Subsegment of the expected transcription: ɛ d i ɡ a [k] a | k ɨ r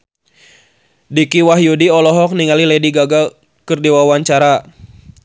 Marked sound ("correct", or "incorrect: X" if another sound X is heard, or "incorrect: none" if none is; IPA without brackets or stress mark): incorrect: ɡ